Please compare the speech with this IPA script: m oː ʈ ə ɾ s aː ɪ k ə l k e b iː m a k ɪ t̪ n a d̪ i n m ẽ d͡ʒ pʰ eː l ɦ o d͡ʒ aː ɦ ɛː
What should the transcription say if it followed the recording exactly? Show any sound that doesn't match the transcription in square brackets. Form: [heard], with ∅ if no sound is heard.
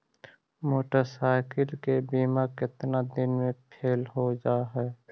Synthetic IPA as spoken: m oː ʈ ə ɾ s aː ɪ k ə l k e b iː m a k ɪ t̪ n a d̪ [ɪ] n m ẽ [∅] pʰ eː l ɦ o d͡ʒ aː ɦ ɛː